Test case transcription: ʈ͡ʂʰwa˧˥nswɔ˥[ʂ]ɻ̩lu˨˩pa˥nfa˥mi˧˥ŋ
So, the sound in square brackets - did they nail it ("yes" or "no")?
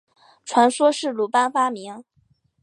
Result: yes